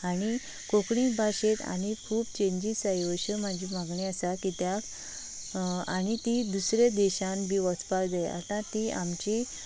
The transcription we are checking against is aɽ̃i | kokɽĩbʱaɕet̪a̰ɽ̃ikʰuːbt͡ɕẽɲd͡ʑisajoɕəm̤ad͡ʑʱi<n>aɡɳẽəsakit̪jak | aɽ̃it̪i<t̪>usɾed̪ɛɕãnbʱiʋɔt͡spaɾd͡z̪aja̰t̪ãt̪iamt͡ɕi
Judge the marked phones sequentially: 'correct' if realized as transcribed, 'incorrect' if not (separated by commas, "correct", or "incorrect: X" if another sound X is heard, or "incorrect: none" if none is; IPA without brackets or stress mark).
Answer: incorrect: m, incorrect: d̪